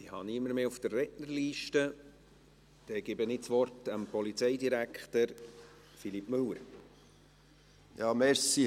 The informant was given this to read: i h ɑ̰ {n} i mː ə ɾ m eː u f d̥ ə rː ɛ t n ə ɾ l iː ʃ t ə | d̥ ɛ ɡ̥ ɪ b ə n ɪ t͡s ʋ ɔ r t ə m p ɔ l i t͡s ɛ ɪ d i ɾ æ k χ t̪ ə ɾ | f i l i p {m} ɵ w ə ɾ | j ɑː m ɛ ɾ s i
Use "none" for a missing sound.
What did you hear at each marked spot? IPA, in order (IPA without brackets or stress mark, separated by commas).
n, m